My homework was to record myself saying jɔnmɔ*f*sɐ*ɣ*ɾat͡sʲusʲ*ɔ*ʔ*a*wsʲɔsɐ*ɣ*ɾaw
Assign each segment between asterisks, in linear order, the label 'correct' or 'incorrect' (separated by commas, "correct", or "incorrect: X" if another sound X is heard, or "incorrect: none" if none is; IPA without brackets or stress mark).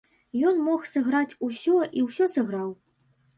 incorrect: x, correct, correct, incorrect: i, correct